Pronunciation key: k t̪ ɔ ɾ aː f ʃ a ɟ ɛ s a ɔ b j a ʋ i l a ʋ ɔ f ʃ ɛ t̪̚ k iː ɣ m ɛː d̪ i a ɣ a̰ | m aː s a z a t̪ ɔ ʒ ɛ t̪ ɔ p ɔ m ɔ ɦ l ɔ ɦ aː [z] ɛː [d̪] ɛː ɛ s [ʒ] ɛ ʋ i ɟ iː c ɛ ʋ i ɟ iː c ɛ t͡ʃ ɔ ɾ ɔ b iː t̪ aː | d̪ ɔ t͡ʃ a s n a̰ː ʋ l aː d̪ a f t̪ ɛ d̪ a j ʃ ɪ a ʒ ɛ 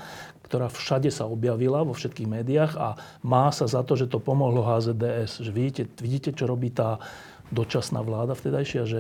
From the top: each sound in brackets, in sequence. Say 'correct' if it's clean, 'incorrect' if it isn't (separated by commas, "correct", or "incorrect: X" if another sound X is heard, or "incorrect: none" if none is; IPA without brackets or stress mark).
correct, correct, correct